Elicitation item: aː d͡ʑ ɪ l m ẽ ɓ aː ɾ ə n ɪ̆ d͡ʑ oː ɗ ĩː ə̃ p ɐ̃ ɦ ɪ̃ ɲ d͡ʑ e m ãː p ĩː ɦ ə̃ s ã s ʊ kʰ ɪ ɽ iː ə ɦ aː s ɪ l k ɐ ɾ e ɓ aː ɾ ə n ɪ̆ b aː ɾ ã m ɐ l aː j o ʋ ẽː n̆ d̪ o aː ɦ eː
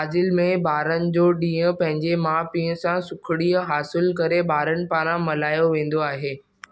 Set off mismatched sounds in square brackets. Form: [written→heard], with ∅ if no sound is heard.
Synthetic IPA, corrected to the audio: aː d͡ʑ ɪ l m ẽ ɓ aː ɾ ə n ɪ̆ d͡ʑ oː ɗ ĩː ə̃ p ɐ̃ ɦ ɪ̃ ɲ d͡ʑ e m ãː p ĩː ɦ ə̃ s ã s ʊ kʰ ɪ ɽ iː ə ɦ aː s ɪ l k ɐ ɾ e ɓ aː ɾ ə n ɪ̆ [b→p] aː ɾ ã m ɐ l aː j o ʋ ẽː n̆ d̪ o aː ɦ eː